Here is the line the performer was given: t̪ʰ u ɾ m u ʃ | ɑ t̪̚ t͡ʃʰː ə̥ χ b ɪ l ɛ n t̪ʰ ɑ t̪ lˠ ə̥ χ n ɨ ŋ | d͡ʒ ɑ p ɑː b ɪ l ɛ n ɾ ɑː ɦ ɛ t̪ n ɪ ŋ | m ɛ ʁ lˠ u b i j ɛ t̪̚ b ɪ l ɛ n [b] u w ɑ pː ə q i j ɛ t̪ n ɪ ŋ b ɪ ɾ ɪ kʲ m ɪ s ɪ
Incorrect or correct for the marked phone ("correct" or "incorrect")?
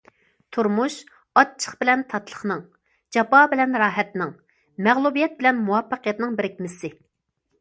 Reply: incorrect